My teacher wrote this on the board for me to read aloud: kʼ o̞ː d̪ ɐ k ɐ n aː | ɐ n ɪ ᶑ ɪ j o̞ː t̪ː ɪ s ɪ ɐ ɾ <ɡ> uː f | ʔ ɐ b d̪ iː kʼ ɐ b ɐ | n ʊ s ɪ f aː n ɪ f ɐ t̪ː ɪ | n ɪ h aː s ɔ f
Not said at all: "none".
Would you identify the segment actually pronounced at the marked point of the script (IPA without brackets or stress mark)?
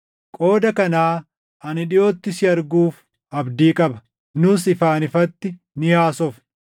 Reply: ɡ